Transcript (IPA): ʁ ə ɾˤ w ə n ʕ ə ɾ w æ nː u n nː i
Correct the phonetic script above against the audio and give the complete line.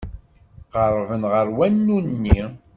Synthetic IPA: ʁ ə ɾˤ v ə n ʁ ə ɾ w æ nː u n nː i